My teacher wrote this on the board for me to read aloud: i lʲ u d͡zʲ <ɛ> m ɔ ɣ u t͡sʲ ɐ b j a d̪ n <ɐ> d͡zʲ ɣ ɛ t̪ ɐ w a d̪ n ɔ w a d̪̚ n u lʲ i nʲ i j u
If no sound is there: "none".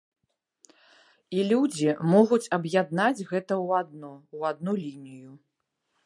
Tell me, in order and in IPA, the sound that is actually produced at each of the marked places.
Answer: i, a

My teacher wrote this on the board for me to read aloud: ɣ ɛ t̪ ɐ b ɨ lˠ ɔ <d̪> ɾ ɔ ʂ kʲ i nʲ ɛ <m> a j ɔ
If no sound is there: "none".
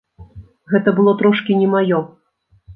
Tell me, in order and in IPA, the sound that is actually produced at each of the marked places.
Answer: t̪, m

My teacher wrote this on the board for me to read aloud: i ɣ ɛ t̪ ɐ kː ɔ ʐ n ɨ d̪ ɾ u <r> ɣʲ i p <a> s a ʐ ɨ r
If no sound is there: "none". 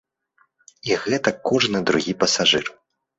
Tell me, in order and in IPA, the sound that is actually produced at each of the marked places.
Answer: none, ɐ

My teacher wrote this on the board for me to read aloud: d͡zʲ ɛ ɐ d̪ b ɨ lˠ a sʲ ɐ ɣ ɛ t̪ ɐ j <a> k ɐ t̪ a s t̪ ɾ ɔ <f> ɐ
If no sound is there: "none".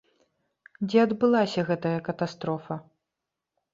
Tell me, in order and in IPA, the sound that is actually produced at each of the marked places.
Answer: ɐ, f

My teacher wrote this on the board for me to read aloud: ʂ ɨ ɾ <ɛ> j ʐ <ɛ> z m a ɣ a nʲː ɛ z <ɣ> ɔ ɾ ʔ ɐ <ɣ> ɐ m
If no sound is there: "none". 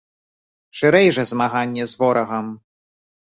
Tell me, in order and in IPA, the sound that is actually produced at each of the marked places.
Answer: ɛ, ɛ, v, ɣ

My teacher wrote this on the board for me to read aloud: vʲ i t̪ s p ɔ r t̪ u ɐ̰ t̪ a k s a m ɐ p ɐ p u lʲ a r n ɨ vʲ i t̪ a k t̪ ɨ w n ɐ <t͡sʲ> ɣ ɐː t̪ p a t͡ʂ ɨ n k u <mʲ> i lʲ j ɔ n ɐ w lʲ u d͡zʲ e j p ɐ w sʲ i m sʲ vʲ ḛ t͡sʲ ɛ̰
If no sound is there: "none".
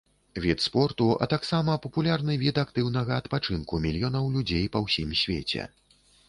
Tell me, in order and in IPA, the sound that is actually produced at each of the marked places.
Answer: none, mʲ

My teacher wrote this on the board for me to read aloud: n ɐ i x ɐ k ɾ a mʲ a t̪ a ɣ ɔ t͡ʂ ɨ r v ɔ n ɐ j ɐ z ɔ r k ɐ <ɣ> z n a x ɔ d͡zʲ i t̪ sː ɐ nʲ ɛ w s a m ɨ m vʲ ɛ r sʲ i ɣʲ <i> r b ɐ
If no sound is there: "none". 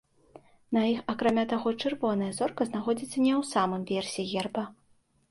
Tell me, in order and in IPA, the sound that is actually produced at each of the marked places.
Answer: none, ɛ

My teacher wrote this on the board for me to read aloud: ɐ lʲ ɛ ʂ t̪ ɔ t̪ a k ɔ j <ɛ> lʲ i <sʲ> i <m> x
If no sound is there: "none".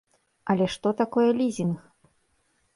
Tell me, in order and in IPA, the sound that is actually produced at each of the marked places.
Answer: ɛ, zʲ, n

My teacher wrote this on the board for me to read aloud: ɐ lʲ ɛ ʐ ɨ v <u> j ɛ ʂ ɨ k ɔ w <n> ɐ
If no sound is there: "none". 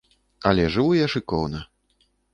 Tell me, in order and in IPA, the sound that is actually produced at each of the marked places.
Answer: u, n

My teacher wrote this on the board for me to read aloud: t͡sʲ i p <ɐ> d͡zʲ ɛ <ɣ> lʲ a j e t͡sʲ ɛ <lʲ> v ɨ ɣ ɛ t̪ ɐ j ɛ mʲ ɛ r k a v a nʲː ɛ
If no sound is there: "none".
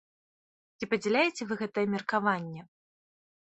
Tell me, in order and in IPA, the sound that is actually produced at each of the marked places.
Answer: ɐ, none, none

